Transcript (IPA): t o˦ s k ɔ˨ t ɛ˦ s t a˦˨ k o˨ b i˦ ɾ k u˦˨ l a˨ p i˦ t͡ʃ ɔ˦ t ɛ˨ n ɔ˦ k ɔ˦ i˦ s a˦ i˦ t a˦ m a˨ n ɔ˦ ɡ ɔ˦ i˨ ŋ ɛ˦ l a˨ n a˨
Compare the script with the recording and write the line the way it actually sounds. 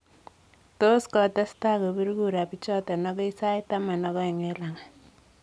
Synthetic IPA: t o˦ s k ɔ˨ t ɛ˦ s t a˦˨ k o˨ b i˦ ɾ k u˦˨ ɾ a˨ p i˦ t͡ʃ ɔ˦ t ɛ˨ n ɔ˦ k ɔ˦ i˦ s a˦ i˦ t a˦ m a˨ n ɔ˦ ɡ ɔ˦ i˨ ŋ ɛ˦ l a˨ ŋ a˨